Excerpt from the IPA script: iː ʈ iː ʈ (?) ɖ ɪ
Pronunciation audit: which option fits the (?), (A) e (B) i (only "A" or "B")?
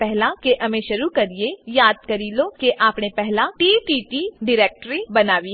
B